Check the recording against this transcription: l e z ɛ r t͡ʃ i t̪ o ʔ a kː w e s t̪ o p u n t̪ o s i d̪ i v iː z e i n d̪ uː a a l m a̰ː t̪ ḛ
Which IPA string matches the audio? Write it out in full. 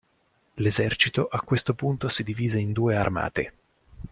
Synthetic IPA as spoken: l e z ɛ r t͡ʃ i t̪ o ʔ a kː w e s t̪ o p u n t̪ o s i d̪ i v iː z e i n d̪ uː e a r m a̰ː t̪ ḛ